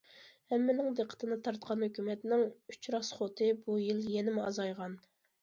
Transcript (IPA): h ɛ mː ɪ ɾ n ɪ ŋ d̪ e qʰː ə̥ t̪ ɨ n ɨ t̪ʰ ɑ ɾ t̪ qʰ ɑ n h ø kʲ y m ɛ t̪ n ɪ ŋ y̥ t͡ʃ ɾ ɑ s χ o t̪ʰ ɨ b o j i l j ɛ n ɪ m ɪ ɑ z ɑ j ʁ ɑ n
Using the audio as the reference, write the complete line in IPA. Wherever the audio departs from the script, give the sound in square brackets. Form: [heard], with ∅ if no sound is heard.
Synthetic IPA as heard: h ɛ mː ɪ [∅] n ɪ ŋ d̪ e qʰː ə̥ t̪ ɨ n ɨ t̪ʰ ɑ ɾ t̪ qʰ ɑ n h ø kʲ y m ɛ t̪ n ɪ ŋ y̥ t͡ʃ ɾ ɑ s χ o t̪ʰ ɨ b [u] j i l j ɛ n ɪ m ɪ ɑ z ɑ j ʁ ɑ n